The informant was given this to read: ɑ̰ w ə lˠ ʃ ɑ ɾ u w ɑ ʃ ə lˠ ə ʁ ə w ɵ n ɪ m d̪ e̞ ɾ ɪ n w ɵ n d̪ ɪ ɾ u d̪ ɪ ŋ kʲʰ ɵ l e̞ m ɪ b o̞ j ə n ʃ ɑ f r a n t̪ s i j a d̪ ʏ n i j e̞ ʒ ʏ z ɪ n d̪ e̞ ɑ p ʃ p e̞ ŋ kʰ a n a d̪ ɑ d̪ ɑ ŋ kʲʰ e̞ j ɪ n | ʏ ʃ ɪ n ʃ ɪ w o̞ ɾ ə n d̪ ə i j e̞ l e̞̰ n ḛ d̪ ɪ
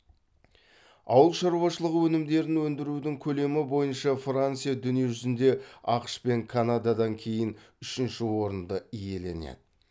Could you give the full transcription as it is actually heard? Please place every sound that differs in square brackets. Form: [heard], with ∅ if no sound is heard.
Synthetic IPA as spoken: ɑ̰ w ə lˠ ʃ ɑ ɾ u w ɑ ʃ ə lˠ ə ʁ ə w ɵ n ɪ m d̪ e̞ ɾ ɪ n w ɵ n d̪ ɪ ɾ u d̪ ɪ ŋ kʲʰ ɵ l e̞ m ɪ b o̞ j ə n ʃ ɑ f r a n t̪ s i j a d̪ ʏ n i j e̞ ʒ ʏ z ɪ n d̪ e̞ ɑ [q] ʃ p e̞ ŋ kʰ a n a d̪ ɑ d̪ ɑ ŋ kʲʰ e̞ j ɪ n | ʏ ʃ ɪ n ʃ ɪ w o̞ ɾ ə n d̪ ə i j e̞ l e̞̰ n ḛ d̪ ɪ

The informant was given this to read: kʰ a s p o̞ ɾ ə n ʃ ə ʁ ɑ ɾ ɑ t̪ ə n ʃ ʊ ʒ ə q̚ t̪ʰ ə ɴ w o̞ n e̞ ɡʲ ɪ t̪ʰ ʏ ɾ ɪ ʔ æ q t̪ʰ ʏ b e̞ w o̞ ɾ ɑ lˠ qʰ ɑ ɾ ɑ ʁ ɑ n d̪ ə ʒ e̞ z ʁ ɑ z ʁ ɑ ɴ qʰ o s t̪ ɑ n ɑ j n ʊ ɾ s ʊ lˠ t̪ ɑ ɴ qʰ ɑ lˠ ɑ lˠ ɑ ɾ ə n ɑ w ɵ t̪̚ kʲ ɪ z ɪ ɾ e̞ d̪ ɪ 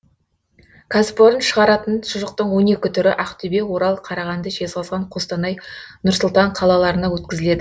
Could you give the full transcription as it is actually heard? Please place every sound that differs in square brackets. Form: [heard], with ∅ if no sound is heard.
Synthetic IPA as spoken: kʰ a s p o̞ ɾ ə n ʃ ə ʁ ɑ ɾ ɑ t̪ ə n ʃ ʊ ʒ ə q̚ [t̪] ə ɴ w o̞ n e̞ [kʲ] ɪ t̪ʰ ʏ ɾ ɪ ʔ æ q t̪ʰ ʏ b e̞ w o̞ ɾ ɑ lˠ qʰ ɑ ɾ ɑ ʁ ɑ n d̪ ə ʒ e̞ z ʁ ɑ z ʁ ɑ ɴ qʰ o s t̪ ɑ n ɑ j n ʊ ɾ s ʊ lˠ t̪ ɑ ɴ qʰ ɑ lˠ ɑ lˠ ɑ ɾ ə n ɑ w ɵ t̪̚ kʲ ɪ z ɪ [l] e̞ d̪ ɪ

